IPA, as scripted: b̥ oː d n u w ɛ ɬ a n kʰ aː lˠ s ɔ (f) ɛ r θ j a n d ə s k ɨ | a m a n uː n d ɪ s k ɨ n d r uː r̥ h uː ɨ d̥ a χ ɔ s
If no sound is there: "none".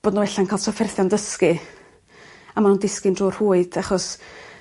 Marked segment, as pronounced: f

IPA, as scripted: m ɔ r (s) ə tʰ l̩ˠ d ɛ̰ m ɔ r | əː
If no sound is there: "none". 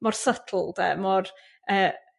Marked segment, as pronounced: s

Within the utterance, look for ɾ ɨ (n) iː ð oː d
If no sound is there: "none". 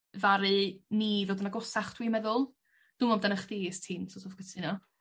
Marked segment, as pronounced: n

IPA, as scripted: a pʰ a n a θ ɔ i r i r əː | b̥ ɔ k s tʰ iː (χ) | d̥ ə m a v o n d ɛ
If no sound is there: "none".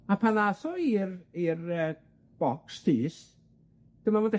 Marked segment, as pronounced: s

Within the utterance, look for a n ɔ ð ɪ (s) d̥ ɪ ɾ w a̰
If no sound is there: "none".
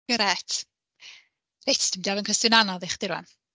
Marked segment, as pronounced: χ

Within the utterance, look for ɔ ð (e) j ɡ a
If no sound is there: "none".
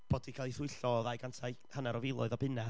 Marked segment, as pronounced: a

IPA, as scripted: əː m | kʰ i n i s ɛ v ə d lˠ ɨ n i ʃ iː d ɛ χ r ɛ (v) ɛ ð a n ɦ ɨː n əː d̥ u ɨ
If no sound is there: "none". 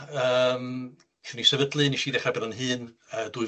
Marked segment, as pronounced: b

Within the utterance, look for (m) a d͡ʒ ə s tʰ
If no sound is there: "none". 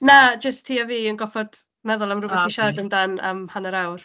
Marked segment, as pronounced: n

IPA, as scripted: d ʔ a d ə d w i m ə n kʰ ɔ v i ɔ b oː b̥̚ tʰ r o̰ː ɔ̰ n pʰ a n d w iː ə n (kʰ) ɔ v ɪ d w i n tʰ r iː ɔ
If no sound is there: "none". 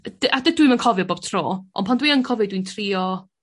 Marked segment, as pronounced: kʰ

